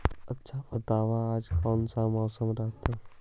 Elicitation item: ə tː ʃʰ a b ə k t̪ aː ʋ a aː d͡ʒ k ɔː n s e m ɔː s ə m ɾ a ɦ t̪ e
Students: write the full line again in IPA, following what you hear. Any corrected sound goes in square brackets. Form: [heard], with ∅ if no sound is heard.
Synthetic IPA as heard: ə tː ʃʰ a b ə [∅] t̪ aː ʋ a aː d͡ʒ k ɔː n s [a] m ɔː s ə m ɾ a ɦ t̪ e

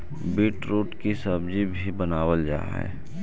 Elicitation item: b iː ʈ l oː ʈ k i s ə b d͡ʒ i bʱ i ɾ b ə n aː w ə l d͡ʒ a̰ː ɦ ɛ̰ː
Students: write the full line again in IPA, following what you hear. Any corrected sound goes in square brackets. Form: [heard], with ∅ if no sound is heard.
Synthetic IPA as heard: b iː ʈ [ɾ] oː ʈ k i s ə b d͡ʒ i bʱ i [∅] b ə n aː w ə l d͡ʒ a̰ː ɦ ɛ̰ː

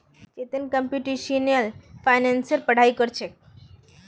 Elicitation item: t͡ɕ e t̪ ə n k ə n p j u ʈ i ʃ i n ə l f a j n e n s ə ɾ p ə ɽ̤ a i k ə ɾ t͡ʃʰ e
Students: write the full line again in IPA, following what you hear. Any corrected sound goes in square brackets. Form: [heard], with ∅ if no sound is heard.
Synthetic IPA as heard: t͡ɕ e t̪ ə n k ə [m] p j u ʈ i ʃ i n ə l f a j n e n s ə ɾ p ə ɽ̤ a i k ə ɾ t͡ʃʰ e

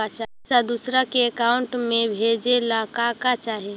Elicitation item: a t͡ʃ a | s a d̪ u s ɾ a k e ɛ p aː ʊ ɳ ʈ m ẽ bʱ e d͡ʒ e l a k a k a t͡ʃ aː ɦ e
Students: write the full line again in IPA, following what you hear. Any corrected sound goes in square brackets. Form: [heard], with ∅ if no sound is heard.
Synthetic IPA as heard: a t͡ʃ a | s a d̪ u s ɾ a k e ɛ [k] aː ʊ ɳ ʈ m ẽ bʱ e d͡ʒ e l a k a k a t͡ʃ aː ɦ e

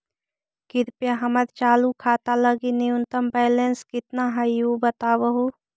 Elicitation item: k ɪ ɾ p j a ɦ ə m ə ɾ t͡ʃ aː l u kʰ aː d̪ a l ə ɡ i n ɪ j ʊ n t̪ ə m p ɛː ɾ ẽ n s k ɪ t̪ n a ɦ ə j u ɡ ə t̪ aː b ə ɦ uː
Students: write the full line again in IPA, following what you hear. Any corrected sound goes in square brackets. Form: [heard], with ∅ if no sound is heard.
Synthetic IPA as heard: k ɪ ɾ p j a ɦ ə m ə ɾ t͡ʃ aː l u kʰ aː [t̪] a l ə ɡ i n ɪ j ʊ n t̪ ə m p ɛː [l] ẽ n s k ɪ t̪ n a ɦ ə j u [b] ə t̪ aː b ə ɦ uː

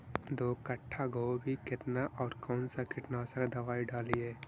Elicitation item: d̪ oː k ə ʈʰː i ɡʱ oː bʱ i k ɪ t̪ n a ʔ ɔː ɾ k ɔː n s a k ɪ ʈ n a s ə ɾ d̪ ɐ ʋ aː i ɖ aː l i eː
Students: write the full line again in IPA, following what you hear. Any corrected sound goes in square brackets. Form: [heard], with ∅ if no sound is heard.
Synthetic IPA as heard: d̪ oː k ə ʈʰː [a] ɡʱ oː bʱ i k ɪ t̪ n a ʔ ɔː ɾ k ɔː n s a k ɪ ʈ n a s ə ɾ d̪ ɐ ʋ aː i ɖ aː l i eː

